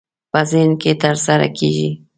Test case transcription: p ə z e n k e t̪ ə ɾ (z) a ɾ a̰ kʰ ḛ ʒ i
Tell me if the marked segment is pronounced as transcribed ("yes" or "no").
no